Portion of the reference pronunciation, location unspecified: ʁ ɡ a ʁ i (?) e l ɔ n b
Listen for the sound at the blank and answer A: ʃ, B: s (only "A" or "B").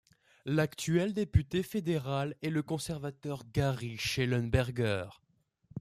A